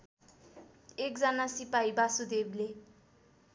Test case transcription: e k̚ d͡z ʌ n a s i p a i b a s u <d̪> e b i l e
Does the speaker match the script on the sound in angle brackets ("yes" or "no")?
yes